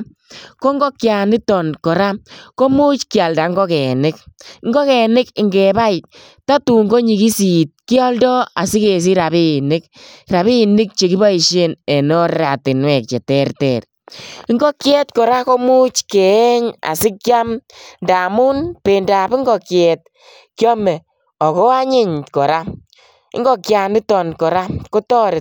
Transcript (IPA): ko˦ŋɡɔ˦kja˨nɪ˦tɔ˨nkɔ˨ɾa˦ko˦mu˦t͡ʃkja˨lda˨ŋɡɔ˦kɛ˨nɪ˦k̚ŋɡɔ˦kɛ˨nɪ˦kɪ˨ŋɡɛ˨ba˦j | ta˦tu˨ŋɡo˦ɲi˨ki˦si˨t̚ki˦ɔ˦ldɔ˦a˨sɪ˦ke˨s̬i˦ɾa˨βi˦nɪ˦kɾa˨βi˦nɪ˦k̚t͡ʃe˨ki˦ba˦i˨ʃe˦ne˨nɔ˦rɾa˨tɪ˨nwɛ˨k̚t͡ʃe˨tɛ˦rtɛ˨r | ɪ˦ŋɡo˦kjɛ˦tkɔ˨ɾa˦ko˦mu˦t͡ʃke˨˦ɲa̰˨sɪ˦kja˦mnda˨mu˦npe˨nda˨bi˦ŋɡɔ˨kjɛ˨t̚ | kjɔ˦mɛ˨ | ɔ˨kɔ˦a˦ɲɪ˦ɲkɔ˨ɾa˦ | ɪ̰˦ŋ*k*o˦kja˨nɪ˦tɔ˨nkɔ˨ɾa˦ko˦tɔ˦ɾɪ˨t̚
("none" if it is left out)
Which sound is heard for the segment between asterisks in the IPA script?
ɡ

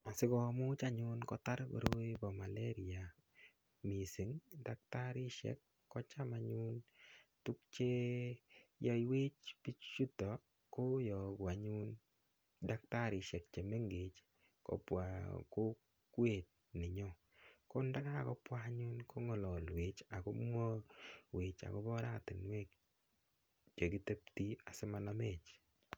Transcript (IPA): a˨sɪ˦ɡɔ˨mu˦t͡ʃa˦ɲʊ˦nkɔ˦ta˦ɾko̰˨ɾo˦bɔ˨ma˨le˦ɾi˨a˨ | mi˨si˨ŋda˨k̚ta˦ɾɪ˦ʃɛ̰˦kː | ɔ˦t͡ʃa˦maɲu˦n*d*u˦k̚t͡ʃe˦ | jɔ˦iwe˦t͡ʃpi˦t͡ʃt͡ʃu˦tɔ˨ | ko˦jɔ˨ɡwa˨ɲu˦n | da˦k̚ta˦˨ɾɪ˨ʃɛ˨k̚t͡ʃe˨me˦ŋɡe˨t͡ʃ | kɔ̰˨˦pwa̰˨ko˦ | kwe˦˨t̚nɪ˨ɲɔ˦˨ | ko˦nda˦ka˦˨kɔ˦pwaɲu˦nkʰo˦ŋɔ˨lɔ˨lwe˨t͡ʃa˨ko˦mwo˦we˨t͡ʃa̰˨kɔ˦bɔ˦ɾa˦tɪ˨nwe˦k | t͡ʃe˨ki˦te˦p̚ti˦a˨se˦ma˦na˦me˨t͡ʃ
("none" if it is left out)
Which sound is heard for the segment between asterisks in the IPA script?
t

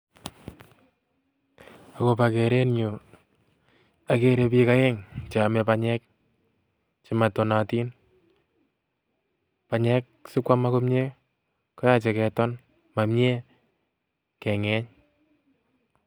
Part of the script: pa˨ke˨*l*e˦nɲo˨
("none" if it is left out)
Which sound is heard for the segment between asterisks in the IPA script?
ɾ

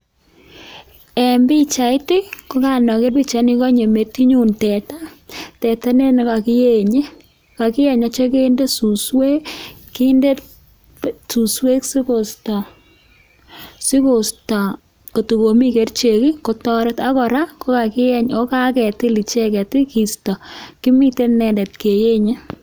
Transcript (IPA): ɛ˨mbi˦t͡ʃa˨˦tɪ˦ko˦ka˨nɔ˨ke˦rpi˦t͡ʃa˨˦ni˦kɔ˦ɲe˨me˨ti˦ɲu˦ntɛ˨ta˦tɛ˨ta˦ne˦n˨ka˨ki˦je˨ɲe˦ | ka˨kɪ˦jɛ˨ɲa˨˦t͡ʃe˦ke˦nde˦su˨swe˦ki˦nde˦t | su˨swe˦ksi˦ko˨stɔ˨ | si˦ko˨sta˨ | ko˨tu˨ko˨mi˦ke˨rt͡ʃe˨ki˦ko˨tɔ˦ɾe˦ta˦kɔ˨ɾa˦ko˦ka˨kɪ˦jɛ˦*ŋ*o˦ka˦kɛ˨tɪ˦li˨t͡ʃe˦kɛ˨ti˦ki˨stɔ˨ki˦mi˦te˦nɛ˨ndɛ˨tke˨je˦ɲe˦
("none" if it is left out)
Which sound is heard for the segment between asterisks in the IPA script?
ɲ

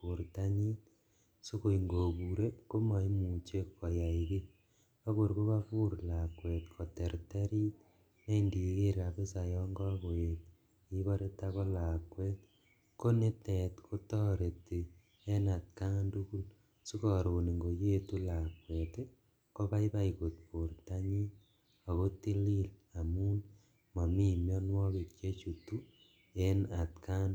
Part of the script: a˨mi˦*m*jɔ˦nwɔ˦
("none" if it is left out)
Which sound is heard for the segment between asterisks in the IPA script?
m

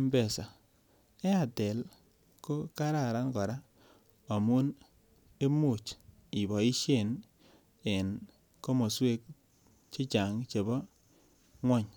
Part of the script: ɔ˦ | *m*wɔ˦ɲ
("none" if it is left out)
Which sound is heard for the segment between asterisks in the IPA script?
ŋ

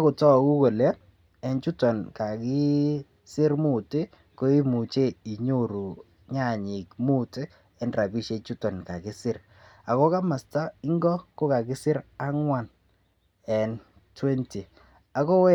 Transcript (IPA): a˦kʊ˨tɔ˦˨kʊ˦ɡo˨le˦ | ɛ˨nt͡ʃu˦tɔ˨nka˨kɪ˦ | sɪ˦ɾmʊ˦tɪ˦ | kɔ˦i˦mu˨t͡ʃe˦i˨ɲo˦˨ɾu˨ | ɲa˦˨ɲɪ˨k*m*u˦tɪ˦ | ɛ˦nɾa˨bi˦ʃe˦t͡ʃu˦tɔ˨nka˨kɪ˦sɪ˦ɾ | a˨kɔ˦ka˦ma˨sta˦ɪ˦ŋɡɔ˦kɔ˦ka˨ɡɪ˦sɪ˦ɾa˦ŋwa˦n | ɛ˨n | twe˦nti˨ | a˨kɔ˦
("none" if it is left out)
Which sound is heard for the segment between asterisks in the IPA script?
m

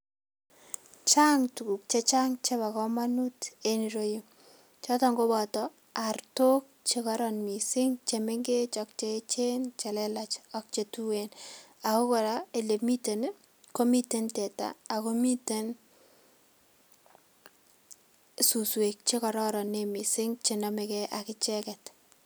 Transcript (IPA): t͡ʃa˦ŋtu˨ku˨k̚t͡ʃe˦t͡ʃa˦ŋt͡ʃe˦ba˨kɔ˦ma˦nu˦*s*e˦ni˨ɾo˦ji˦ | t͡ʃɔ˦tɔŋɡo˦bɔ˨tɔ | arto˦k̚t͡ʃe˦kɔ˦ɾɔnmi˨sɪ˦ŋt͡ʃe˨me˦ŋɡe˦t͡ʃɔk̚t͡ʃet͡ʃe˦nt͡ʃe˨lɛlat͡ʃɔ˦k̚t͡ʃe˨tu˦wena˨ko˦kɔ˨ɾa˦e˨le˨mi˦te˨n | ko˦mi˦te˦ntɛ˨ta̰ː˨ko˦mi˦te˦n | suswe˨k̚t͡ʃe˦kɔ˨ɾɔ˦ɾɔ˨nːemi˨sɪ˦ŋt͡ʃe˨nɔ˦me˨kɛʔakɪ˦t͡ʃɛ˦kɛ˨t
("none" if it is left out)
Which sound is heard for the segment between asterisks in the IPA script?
t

